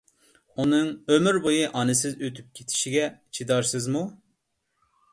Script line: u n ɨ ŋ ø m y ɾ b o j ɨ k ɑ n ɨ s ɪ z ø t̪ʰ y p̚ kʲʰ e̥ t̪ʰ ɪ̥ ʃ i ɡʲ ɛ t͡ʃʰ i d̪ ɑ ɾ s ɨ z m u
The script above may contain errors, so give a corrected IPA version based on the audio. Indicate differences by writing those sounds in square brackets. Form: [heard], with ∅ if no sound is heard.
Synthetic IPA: u n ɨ ŋ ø m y ɾ b o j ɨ [ʔ] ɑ n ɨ s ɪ z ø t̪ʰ y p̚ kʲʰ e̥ t̪ʰ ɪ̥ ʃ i ɡʲ ɛ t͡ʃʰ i d̪ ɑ ɾ s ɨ z m u